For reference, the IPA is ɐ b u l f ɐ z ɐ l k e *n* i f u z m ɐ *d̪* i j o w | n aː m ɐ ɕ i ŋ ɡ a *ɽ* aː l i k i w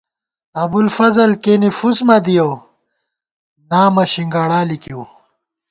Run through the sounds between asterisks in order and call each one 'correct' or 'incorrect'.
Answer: correct, correct, correct

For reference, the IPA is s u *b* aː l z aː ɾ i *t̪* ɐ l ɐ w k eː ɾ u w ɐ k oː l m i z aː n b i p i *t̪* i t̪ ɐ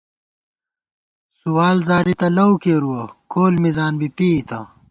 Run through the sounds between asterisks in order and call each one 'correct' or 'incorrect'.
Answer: incorrect, correct, incorrect

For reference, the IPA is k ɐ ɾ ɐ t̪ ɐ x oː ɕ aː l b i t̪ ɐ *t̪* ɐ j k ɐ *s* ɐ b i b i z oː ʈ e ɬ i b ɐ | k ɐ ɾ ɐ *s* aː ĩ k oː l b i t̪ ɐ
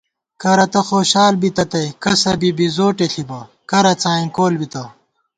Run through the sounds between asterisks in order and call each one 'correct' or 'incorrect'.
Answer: correct, correct, incorrect

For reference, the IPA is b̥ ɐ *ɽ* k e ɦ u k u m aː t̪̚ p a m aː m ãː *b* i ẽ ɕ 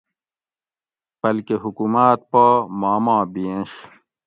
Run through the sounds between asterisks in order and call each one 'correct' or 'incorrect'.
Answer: incorrect, correct

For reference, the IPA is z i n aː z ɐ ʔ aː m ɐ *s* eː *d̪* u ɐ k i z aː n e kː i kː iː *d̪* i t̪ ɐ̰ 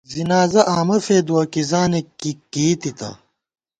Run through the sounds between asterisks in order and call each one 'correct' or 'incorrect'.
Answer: incorrect, correct, incorrect

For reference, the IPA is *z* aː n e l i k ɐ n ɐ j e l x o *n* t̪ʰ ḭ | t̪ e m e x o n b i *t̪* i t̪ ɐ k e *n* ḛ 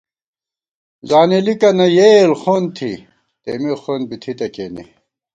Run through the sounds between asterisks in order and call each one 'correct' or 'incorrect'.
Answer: correct, correct, incorrect, correct

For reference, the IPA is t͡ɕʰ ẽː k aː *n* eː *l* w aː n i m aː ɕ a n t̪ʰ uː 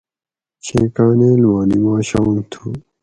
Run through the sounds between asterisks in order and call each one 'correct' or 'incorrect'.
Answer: correct, correct

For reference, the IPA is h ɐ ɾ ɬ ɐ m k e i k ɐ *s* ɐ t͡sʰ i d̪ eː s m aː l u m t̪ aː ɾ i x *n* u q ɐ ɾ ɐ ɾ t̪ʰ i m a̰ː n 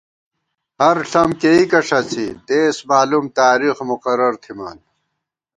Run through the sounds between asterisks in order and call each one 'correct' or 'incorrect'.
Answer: incorrect, incorrect

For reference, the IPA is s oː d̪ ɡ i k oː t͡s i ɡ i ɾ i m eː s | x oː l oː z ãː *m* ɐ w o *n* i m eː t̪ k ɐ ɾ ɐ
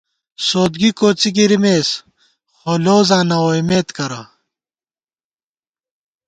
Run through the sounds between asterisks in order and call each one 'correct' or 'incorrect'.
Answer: incorrect, incorrect

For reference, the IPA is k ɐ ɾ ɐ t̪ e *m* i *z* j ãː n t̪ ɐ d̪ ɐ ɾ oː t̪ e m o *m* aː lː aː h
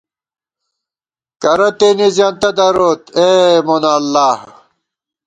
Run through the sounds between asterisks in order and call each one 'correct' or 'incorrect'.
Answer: incorrect, correct, incorrect

